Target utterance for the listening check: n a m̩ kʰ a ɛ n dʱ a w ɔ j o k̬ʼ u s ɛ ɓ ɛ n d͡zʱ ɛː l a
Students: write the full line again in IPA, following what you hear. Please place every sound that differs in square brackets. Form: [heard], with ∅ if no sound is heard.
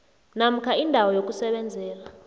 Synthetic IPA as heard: n a m̩ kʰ a [i] n dʱ a w ɔ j o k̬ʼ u s ɛ ɓ ɛ n d͡zʱ ɛː l a